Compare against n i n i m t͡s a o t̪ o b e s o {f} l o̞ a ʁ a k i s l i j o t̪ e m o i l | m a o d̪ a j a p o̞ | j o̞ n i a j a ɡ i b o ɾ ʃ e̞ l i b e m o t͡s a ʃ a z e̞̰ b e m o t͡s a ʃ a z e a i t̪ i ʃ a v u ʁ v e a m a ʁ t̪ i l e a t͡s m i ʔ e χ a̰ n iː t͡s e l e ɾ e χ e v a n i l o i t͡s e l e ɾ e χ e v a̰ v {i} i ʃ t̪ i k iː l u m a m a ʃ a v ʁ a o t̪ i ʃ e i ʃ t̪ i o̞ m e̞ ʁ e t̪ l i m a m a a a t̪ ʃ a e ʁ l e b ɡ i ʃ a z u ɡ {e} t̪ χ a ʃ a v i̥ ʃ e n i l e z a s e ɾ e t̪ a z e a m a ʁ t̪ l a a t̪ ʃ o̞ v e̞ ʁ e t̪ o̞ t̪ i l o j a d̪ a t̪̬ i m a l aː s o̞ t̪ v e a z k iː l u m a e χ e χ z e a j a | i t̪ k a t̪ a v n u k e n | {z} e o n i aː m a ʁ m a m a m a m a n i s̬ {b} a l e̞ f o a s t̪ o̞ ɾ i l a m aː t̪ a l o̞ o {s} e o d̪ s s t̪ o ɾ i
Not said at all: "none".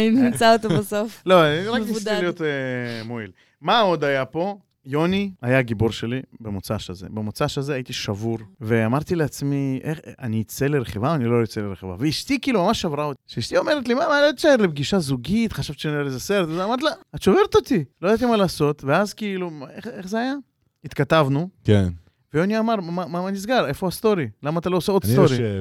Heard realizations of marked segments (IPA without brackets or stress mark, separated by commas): f, e, i, v, ɡ, s